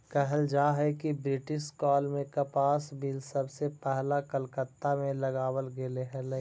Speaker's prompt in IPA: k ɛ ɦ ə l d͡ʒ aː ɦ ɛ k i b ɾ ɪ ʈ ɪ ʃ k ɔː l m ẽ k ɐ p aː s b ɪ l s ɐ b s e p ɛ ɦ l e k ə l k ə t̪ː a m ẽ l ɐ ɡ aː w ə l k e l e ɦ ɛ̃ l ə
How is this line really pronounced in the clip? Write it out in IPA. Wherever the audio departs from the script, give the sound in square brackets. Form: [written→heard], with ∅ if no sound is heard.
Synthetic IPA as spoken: k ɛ ɦ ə l d͡ʒ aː ɦ ɛ k i b ɾ ɪ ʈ ɪ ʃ k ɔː l m ẽ k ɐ p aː s b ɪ l s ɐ b s e p ɛ ɦ l [e→a] k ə l k ə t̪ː a m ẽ l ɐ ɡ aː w ə l [k→ɡ] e l e ɦ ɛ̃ l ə